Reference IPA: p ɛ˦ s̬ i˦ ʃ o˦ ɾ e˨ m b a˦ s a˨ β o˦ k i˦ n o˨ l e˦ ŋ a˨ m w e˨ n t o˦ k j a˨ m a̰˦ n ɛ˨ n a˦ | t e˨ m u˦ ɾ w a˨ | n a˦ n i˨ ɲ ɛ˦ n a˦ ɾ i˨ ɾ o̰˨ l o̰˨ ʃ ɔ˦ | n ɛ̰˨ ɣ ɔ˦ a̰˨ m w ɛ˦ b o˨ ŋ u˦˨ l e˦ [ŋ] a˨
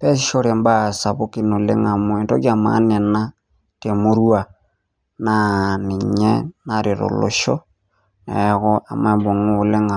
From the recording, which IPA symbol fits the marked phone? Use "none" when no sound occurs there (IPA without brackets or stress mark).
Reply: ŋ